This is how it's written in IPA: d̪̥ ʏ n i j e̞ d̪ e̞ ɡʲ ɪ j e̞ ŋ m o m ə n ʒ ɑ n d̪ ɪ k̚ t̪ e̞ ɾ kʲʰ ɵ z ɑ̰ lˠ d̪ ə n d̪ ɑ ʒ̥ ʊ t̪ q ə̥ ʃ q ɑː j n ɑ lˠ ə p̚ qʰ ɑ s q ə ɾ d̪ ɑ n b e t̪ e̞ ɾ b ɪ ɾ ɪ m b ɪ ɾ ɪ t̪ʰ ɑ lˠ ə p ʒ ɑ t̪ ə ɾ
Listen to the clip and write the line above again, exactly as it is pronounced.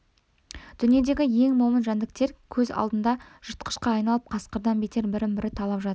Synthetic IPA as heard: d̪̥ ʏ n i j e̞ d̪ e̞ ɡʲ ɪ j e̞ ŋ m o m ə n ʒ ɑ n d̪ ɪ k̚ t̪ e̞ ɾ kʲʰ ɵ z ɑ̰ lˠ d̪ ə n d̪ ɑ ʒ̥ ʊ t̪ q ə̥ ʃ q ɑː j n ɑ lˠ ə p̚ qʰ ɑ s q ə ɾ d̪ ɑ n b e t̪ e̞ ɾ b ɪ ɾ ɪ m b ɪ ɾ ɪ t̪ʰ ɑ lˠ ɑ p ʒ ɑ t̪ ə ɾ